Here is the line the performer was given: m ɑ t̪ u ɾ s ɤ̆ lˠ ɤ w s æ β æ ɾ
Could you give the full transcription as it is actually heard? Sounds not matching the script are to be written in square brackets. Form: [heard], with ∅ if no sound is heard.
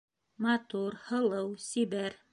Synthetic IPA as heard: m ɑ t̪ u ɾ [h] ɤ̆ lˠ ɤ w s [i] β æ ɾ